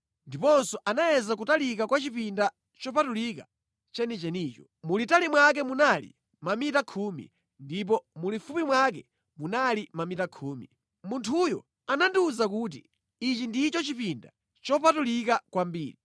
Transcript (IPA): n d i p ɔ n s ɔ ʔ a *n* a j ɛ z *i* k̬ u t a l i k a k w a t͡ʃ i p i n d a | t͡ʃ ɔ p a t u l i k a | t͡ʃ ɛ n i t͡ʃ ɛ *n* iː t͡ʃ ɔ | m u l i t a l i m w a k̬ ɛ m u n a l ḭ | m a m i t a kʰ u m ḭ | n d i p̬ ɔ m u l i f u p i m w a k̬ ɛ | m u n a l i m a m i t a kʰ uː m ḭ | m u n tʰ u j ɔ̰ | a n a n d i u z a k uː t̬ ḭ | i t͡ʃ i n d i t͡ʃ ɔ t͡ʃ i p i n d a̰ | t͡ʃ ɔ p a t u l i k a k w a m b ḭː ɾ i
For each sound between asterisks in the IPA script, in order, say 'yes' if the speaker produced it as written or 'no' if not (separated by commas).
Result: yes, no, yes